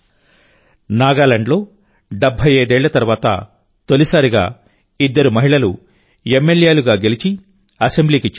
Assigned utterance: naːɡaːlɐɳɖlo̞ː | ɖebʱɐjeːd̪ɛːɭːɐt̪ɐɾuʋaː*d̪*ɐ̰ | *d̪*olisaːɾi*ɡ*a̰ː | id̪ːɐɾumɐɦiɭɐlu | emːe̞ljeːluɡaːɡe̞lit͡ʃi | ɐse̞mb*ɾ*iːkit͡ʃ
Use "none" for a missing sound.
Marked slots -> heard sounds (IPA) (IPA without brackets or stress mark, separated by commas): t̪, t̪, ɡ, l